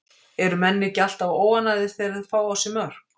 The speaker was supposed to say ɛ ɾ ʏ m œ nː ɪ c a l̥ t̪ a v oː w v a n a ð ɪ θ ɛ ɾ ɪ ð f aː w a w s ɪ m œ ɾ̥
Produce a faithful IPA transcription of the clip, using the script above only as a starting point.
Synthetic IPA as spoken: ɛ ɾ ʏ m ɛ nː ɪ c a l̥ t̪ a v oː w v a n a ð ɪ θ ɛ ɾ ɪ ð f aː w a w s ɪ m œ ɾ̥